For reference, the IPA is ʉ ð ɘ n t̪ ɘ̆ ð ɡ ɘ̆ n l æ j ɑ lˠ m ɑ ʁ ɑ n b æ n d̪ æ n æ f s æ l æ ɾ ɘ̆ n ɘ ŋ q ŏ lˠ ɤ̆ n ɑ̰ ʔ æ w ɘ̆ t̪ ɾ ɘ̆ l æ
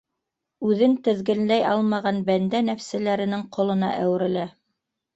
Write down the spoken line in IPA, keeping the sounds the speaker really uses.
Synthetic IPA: ʉ ð ɘ n t̪ ɘ̆ ð ɡ ɘ̆ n l æ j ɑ lˠ m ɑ ʁ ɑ n b æ n d̪ æ n æ f s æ l æ ɾ ɘ̆ n ɘ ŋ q ŏ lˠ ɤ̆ n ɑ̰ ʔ æ w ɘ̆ ɾ ɘ̆ l æ

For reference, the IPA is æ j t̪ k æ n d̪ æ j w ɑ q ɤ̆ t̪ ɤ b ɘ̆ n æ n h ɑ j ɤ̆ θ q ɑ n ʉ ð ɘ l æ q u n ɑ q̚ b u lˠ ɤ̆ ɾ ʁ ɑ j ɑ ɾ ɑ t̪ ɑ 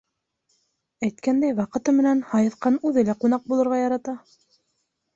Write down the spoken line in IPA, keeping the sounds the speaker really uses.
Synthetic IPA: æ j t̪ k æ n d̪ æ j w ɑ q ɤ̆ t̪ ɤ m ɘ̆ n æ n h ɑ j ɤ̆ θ q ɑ n ʉ ð ɘ l æ q u n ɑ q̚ b u lˠ ɤ̆ ɾ ʁ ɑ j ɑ ɾ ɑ t̪ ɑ

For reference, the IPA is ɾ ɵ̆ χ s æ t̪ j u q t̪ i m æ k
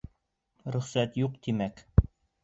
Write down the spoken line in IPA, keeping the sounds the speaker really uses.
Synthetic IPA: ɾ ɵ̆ χ s æ t̪ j u q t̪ i m æ k

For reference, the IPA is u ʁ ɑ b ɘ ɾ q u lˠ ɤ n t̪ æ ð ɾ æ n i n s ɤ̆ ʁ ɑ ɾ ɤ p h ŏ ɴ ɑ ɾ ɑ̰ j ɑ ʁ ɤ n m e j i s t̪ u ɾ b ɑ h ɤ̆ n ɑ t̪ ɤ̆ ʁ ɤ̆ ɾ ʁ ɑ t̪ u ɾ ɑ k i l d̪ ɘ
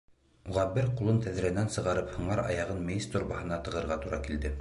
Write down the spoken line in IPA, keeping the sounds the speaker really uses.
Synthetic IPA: u ʁ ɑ b ɘ ɾ q u lˠ ɤ n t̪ æ ð ɾ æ n æ n s ɤ̆ ʁ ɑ ɾ ɤ p h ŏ ɴ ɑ ɾ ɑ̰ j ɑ ʁ ɤ n m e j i s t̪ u ɾ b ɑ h ɤ̆ n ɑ t̪ ɤ̆ ʁ ɤ̆ ɾ ʁ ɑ t̪ u ɾ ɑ k i l d̪ ɘ

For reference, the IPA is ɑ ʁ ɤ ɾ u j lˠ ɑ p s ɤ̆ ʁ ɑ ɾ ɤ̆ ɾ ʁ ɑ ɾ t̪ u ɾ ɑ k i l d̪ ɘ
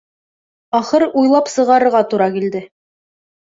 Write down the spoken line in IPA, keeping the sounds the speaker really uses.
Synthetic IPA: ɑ χ ɤ ɾ u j lˠ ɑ p s ɤ̆ ʁ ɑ ɾ ɤ̆ ɾ ʁ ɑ t̪ u ɾ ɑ k i l d̪ ɘ

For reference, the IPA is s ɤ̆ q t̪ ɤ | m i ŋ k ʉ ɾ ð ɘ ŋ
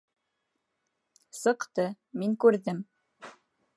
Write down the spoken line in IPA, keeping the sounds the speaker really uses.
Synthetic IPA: s ɤ̆ q t̪ ɤ | m i ŋ k ʉ ɾ ð ɘ m

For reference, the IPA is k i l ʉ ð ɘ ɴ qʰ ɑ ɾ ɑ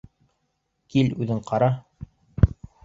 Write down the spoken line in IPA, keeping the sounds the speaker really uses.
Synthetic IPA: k i l ʉ ð ɘ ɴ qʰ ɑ ɾ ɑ

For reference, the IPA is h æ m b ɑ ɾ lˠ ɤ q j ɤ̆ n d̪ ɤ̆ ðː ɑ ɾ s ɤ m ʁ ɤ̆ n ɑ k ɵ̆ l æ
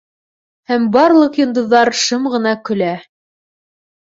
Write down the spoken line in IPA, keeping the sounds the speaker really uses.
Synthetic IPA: h æ m b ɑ ɾ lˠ ɤ q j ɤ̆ n d̪ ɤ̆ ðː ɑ ɾ ʃ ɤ m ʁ ɤ̆ n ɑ k ɵ̆ l æ

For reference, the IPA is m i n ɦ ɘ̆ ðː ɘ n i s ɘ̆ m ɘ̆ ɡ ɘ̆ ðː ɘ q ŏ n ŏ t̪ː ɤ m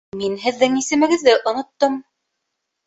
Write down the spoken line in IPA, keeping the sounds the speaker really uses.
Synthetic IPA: m i n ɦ ɘ̆ ðː ɘ ŋ i s ɘ̆ m ɘ̆ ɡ ɘ̆ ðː ɘ ʔ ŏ n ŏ t̪ː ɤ m

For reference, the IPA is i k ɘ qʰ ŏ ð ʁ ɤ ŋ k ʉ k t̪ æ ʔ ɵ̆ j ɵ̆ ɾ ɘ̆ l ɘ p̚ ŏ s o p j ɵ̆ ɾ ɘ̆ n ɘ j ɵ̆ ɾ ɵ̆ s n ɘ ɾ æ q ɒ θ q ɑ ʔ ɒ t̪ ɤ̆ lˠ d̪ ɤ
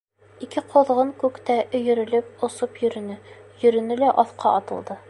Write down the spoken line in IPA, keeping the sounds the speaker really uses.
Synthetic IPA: i k ɘ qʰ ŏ ð ʁ ɤ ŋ k ʉ k t̪ æ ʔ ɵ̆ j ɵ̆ ɾ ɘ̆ l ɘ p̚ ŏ s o p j ɵ̆ ɾ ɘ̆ n ɘ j ɵ̆ ɾ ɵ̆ n ɘ l æ ʔ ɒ θ q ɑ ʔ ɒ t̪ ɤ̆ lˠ d̪ ɤ

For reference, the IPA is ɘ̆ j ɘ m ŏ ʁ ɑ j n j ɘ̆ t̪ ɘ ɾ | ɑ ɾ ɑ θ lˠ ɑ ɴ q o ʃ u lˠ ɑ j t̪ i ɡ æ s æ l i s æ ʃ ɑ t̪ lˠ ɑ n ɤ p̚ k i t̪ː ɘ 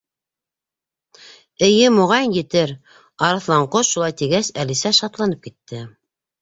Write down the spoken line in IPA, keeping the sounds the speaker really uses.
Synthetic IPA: ɘ̆ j ɘ m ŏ ʁ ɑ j n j ɘ̆ t̪ ɘ ɾ | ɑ ɾ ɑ θ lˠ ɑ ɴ q o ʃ u lˠ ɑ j t̪ i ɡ æ s æ l i s æ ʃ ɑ t̪ lˠ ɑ n ɤ p̚ k i t̪ː ɘ

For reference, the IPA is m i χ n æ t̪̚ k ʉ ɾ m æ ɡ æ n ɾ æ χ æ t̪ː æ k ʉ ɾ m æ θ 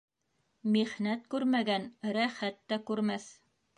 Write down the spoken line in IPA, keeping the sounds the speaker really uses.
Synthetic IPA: m i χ n æ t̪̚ k ʉ ɾ m æ ɡ æ n ɾ æ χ æ t̪ː æ k ʉ ɾ m æ θ

